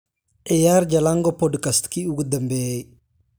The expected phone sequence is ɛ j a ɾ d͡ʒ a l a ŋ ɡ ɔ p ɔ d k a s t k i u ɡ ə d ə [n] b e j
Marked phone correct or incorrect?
incorrect: m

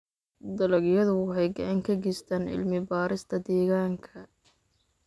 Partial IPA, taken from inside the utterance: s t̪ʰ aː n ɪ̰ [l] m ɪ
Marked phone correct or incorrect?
correct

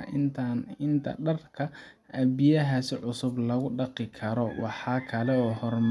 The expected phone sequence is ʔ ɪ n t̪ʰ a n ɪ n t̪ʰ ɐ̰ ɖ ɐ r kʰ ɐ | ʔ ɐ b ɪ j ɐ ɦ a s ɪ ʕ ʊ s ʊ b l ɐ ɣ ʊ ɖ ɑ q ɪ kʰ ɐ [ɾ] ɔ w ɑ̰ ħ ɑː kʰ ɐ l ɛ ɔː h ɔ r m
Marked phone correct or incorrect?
correct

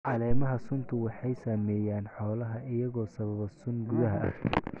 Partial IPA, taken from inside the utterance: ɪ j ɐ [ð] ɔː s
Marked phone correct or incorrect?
incorrect: ɣ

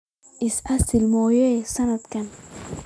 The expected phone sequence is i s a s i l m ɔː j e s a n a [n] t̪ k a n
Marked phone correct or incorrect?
incorrect: none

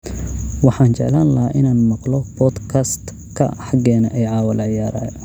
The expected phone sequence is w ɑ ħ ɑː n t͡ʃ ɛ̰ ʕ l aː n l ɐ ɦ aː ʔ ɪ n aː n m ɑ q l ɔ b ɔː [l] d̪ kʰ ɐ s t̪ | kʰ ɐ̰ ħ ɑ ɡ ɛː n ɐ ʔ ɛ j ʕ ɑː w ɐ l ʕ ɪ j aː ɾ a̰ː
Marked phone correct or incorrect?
incorrect: none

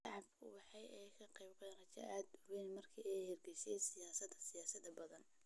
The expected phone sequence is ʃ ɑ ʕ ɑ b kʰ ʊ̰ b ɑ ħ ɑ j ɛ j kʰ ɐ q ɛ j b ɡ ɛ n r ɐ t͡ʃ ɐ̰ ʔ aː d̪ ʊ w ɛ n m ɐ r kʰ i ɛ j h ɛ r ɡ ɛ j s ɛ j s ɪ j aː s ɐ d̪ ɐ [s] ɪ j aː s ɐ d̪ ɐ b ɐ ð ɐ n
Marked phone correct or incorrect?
correct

